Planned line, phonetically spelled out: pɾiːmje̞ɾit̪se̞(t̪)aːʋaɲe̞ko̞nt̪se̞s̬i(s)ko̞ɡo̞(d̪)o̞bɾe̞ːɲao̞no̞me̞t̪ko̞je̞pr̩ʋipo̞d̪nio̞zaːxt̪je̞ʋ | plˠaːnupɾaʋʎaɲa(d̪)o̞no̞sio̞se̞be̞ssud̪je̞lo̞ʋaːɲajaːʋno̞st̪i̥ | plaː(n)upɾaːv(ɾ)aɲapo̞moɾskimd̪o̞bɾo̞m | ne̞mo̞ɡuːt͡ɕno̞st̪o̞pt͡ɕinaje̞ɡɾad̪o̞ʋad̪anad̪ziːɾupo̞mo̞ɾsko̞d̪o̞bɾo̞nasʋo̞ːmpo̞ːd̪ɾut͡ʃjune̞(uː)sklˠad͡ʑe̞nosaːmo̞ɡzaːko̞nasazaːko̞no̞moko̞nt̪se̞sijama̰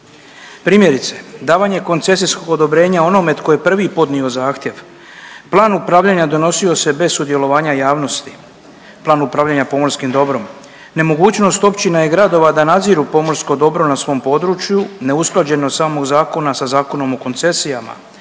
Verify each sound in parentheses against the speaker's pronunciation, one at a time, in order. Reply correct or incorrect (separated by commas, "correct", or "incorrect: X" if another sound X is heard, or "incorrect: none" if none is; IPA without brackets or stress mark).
incorrect: d̪, correct, correct, correct, correct, incorrect: ʎ, incorrect: u